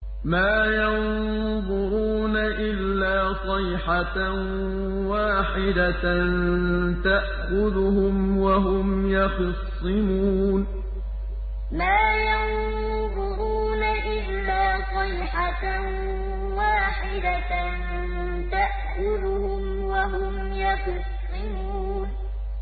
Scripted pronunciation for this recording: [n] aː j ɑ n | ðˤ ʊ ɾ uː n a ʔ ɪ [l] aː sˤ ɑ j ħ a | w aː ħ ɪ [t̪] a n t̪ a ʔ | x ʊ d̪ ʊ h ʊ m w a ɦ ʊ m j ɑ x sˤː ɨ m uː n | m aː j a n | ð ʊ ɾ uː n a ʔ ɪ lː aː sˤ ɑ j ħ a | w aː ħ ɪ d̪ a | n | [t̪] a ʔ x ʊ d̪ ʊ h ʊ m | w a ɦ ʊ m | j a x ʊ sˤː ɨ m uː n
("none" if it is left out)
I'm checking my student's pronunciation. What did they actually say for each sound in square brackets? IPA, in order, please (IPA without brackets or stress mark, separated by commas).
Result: m, lː, d̪, t̪